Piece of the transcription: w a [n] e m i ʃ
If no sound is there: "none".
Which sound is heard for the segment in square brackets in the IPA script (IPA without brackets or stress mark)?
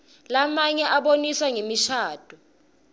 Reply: ŋ